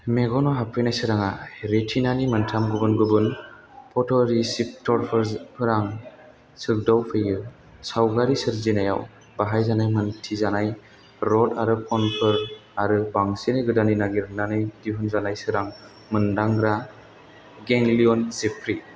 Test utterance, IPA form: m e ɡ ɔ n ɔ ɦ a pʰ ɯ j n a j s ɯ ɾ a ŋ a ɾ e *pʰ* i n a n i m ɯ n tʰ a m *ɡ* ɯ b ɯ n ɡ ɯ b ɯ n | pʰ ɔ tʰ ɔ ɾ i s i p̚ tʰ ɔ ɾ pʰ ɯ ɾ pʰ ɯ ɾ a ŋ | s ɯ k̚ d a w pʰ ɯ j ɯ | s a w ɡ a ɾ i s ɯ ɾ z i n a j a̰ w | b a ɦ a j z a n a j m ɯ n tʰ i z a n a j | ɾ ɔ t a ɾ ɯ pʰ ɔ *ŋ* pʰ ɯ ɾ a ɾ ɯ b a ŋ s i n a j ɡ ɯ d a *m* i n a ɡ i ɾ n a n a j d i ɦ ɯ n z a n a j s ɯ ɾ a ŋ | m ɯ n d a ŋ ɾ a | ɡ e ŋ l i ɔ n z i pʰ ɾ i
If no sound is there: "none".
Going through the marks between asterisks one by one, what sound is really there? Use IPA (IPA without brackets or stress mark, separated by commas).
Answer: tʰ, ɡ, n, n